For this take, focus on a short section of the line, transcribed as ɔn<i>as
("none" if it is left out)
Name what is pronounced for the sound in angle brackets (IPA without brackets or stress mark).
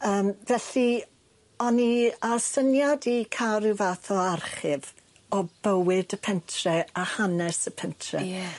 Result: i